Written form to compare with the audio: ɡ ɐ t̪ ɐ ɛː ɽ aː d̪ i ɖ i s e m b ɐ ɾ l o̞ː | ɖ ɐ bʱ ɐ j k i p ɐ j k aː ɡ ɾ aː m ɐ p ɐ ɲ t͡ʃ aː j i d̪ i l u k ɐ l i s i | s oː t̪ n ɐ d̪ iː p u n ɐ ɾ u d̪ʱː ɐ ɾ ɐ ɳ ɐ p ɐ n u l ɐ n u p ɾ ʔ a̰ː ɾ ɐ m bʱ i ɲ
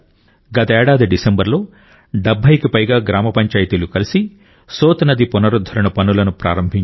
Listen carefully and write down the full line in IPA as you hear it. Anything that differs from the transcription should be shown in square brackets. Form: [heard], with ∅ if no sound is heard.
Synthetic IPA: ɡ ɐ t̪ ɐ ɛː ɽ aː d̪ i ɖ i s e m b ɐ ɾ l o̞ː | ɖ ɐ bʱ ɐ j k i p ɐ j [ɡ] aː ɡ ɾ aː m ɐ p ɐ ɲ t͡ʃ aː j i [t̪] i l u k ɐ l i s i | s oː t̪ n ɐ d̪ [i] p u n ɐ ɾ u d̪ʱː ɐ ɾ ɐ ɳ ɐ p ɐ n u l ɐ n u p ɾ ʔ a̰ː ɾ ɐ m bʱ i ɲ